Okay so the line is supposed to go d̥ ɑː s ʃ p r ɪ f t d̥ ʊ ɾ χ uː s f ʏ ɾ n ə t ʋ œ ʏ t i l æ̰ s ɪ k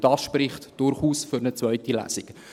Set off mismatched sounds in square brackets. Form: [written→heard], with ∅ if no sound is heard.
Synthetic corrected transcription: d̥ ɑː s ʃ p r ɪ [f→χ] t d̥ ʊ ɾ χ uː s f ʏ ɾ n ə [t→t͡s] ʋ œ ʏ t i l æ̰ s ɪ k